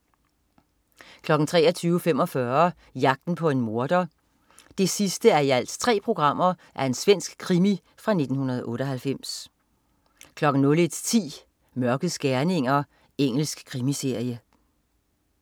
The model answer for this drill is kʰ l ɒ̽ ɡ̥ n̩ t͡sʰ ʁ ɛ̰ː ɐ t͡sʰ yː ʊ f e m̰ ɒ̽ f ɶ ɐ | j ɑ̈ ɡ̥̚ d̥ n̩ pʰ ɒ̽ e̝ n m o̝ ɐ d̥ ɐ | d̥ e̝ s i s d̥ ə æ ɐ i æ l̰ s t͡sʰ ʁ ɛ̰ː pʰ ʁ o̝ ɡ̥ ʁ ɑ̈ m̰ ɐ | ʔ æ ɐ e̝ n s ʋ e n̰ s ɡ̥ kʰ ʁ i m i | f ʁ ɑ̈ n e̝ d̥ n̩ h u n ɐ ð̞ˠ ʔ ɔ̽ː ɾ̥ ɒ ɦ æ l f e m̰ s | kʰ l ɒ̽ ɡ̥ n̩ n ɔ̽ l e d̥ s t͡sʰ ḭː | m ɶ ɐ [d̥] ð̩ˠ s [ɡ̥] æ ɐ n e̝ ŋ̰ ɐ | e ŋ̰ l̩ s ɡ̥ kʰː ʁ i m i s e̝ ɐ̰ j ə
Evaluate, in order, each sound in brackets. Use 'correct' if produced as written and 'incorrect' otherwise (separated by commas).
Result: incorrect, correct